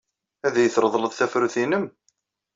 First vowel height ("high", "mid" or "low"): low